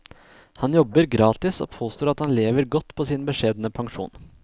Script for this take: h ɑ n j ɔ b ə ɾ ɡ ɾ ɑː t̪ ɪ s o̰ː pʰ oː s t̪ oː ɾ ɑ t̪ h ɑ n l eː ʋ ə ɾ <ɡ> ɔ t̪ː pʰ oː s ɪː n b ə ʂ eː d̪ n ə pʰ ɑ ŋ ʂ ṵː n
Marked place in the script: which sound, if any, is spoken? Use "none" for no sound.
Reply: ɡ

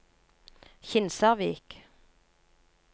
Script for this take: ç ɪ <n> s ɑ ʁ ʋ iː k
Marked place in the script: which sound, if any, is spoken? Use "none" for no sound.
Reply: n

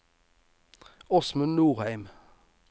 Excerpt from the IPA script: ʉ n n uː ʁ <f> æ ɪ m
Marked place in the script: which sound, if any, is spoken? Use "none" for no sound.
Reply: h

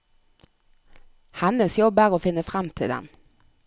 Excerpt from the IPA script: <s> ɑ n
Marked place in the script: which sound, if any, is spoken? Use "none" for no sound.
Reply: h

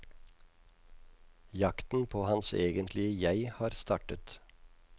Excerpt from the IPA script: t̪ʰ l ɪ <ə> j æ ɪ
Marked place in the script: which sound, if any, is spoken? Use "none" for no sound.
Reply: ə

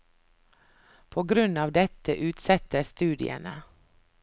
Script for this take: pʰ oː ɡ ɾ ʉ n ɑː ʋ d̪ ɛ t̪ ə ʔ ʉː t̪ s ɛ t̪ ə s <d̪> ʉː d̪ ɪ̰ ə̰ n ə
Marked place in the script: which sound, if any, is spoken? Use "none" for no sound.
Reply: t̪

